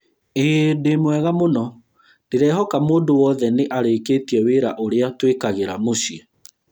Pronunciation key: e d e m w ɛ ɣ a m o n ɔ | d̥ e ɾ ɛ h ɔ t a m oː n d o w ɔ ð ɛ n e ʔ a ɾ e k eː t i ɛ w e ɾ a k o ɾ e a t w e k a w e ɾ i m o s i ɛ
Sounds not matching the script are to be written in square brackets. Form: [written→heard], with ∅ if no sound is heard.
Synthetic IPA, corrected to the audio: e d e m w ɛ ɣ a m o n ɔ | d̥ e ɾ ɛ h ɔ [t→k] a m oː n d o w ɔ ð ɛ n e ʔ a ɾ e k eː t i ɛ w e ɾ a [k→ʔ] o ɾ e a t w e k a [w→ɣ] e ɾ [i→a] m o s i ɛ